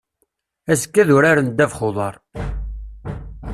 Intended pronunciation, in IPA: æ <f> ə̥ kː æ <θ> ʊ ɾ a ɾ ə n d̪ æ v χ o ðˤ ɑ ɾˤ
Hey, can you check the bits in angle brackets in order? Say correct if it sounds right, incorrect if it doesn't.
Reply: incorrect, incorrect

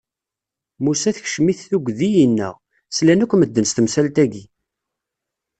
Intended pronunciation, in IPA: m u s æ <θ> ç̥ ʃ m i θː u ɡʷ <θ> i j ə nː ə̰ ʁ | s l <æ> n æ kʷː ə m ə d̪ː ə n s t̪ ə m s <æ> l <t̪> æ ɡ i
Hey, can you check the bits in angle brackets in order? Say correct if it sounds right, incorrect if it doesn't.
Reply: correct, incorrect, correct, correct, correct

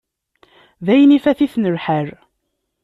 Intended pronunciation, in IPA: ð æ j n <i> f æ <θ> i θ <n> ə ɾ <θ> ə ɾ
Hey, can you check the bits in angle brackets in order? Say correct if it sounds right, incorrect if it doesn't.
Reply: correct, correct, correct, incorrect

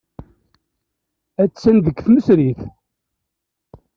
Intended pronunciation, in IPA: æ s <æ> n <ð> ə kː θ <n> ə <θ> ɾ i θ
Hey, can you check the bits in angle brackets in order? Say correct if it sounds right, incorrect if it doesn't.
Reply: correct, correct, incorrect, incorrect

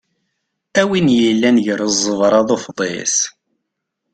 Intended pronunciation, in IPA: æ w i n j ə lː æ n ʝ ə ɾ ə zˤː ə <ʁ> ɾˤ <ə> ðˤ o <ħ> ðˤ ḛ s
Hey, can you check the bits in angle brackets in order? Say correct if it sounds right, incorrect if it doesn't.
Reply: incorrect, incorrect, incorrect

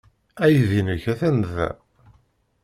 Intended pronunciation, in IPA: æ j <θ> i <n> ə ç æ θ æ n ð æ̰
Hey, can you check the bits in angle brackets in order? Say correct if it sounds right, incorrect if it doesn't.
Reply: incorrect, correct

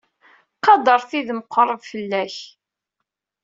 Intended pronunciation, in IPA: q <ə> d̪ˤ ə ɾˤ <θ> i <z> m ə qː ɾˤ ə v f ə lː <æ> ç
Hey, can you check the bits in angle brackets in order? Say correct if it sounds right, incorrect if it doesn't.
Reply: incorrect, correct, incorrect, correct

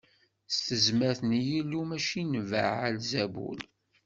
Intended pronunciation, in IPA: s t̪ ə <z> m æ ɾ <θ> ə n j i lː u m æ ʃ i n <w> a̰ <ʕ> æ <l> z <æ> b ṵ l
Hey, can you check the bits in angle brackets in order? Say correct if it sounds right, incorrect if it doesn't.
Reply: correct, correct, incorrect, correct, correct, correct

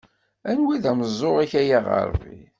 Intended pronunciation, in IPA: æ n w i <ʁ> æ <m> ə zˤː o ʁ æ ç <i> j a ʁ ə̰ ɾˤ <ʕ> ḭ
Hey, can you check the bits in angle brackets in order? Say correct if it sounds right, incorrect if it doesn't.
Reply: incorrect, correct, incorrect, incorrect

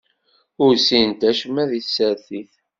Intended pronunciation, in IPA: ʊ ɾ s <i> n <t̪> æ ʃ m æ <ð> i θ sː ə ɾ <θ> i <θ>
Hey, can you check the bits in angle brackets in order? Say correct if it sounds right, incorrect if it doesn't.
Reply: correct, correct, correct, correct, correct

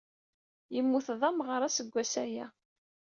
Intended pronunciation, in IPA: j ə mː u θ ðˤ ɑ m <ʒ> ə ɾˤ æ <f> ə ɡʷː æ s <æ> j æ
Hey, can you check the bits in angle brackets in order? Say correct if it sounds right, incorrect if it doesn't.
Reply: incorrect, incorrect, correct

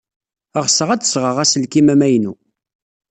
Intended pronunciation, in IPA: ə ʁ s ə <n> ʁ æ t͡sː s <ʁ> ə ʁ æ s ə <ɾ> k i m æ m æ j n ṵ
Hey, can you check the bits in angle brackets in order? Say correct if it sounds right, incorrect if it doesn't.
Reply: incorrect, correct, incorrect

